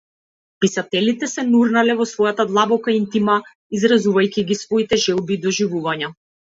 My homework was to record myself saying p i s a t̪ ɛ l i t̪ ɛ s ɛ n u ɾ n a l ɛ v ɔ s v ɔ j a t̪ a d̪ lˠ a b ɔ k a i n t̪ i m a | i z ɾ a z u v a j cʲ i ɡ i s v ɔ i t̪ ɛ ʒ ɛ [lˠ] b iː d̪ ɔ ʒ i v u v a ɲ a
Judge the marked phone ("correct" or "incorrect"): correct